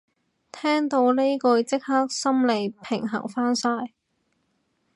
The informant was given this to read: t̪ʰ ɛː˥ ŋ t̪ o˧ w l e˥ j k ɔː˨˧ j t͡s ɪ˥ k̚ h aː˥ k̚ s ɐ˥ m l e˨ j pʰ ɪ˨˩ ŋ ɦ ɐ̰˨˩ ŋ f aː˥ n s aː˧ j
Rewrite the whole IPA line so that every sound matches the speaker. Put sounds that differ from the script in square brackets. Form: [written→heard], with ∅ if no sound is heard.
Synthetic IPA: t̪ʰ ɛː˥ ŋ t̪ o˧ w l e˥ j k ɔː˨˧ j t͡s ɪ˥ k̚ h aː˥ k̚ s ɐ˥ m l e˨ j pʰ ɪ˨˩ ŋ ɦ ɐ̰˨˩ ŋ f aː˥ n s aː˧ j